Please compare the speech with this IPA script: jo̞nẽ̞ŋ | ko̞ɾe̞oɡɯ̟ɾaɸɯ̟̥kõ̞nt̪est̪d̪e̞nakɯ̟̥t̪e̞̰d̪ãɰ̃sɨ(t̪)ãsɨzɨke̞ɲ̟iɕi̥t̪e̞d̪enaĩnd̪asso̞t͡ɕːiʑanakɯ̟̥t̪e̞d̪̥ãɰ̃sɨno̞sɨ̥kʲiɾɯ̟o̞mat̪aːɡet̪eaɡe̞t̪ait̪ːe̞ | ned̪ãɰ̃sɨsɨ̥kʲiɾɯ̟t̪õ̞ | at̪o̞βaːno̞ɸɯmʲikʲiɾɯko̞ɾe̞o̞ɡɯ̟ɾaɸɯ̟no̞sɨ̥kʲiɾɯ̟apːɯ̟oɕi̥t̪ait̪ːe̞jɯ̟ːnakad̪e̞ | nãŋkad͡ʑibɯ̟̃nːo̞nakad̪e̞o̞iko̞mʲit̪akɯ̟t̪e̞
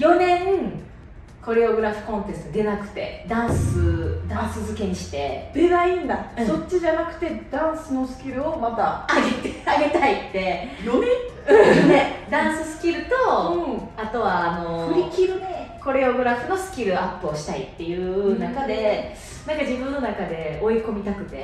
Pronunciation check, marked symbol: incorrect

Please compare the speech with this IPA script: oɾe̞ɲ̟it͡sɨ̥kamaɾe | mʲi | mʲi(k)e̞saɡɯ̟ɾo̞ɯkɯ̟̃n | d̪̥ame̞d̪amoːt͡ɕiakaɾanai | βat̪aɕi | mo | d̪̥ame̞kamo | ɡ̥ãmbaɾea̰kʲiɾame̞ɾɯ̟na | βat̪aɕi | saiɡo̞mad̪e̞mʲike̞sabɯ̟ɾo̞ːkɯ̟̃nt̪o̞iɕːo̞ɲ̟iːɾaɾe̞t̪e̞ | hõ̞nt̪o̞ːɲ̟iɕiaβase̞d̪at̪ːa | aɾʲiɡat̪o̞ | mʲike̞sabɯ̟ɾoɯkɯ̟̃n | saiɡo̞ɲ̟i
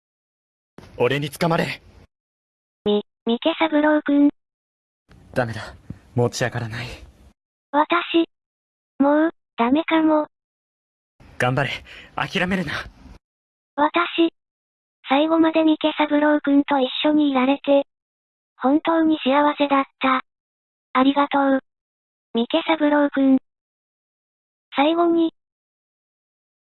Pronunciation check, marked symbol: correct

